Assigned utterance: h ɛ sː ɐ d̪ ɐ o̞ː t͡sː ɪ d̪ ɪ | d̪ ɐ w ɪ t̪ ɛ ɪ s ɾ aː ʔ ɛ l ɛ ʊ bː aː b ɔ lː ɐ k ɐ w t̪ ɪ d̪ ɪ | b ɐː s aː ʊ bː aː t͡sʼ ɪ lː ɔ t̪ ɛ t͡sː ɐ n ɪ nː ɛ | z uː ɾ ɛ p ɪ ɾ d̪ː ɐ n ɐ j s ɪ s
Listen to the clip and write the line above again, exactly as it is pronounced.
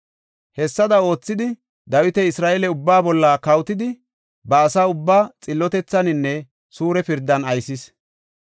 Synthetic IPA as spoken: h ɛ sː ɐ d̪ ɐ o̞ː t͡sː ɪ d̪ ɪ | d̪ ɐ w ɪ t̪ ɛ ɪ s ɾ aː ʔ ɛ l ɛ ʊ bː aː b ɔ lː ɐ k ɐ w t̪ ɪ d̪ ɪ | b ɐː s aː ʊ bː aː t͡sʼ ɪ lː ɔ t̪ ɛ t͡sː ɐ n ɪ nː ɛ | s uː ɾ ɛ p ɪ ɾ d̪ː ɐ n ɐ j s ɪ s